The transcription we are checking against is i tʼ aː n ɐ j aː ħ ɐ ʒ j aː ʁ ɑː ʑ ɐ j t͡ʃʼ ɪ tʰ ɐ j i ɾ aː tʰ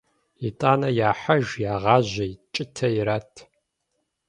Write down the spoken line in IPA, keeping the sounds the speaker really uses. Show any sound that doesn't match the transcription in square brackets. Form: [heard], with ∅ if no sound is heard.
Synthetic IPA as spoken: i tʼ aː n ɐ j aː ħ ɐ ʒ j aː ʁ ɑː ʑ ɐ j t͡ʃʼ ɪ tʰ ɐ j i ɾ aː tʰ

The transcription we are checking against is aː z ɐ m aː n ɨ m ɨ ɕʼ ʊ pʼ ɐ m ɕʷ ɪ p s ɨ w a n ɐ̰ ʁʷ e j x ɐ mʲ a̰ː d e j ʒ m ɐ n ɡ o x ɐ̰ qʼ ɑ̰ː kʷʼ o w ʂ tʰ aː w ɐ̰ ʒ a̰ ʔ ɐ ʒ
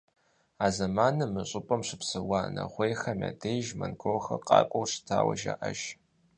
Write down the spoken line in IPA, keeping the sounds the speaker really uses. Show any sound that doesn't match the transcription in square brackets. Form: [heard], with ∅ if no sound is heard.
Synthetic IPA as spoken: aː z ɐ m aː n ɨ m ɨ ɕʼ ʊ pʼ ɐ m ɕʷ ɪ p s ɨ w a n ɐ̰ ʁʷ e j x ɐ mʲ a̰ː d e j ʒ m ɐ n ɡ o x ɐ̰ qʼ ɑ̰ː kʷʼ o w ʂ tʰ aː w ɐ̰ ʒ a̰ ʔ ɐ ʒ

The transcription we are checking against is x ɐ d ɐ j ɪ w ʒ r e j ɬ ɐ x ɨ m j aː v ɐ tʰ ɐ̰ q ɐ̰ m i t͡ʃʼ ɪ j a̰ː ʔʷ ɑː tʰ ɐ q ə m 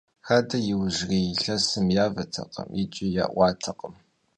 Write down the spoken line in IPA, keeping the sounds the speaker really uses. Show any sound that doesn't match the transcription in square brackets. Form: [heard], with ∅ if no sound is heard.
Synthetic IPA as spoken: x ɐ d ɐ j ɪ w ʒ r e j ɬ ɐ [s] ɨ m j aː v ɐ tʰ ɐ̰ q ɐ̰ m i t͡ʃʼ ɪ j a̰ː ʔʷ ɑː tʰ ɐ q ə m

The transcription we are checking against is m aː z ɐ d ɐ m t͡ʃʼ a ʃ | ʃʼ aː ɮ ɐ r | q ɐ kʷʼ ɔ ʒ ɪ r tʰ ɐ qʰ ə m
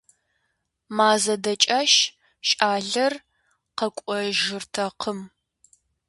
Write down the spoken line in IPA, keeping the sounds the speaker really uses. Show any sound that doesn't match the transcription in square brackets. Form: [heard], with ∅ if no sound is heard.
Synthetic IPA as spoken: m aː z ɐ d ɐ [∅] t͡ʃʼ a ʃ | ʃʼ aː ɮ ɐ r | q ɐ kʷʼ ɔ ʒ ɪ r tʰ ɐ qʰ ə m

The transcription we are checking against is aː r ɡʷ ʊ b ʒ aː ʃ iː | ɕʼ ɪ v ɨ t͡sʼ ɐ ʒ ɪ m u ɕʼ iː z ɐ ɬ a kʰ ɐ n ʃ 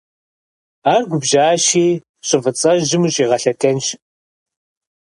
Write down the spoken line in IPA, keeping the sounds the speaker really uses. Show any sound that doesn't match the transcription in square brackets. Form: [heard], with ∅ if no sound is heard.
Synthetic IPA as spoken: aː r ɡʷ ʊ b ʒ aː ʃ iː | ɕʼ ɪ v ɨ t͡sʼ ɐ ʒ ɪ m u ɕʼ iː [ʁ] ɐ ɬ [ɐ] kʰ ɐ n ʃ

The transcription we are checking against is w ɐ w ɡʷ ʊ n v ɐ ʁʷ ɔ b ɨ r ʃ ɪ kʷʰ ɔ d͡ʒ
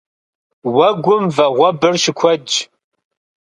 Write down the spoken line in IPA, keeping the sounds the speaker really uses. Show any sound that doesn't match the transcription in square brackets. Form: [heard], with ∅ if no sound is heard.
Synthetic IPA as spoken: w ɐ [∅] ɡʷ ʊ [m] v ɐ ʁʷ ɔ b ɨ r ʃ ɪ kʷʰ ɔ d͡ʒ

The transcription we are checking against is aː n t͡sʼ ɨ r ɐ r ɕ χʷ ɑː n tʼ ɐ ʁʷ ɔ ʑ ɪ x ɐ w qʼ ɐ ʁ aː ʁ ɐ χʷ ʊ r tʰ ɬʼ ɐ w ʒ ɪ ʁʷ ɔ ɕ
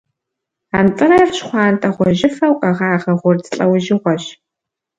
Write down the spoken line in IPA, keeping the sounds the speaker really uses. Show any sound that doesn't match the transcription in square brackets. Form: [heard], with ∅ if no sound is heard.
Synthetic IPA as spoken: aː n t͡sʼ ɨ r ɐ r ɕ χʷ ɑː n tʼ ɐ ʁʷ ɔ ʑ ɪ [f] ɐ w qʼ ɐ ʁ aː ʁ ɐ [ʁʷ] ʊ r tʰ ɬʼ ɐ w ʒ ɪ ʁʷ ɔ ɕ

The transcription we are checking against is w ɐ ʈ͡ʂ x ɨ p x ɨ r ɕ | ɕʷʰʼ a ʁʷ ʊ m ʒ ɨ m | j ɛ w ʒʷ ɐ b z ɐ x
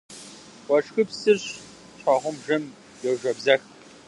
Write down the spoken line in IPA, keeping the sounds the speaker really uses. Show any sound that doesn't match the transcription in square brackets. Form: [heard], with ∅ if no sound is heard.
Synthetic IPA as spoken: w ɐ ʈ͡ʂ x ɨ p [s] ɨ r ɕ | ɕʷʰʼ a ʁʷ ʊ m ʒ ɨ m | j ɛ w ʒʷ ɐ b z ɐ x

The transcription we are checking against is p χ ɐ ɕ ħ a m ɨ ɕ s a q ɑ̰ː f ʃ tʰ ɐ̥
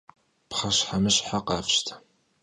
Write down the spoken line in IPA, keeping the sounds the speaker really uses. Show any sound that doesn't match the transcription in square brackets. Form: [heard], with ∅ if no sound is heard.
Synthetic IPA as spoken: p χ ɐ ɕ ħ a m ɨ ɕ [ħ] a q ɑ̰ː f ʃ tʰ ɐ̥

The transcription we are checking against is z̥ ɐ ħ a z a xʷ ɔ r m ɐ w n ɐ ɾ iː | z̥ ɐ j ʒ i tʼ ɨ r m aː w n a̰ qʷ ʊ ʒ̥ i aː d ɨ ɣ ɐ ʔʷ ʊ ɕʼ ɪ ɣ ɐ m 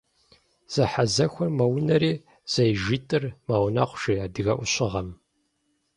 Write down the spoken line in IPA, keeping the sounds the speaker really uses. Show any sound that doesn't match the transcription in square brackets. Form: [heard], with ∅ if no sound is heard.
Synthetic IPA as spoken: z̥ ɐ ħ a z [ɐ] xʷ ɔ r m ɐ w n ɐ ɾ iː | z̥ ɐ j ʒ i tʼ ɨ r m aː w n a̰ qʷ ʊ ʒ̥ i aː d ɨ ɣ ɐ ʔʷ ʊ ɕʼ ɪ [ʁ] ɐ m

